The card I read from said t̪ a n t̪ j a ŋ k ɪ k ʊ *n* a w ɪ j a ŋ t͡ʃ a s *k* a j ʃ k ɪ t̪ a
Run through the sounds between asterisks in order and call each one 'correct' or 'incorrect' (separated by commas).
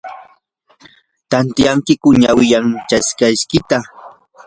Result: incorrect, correct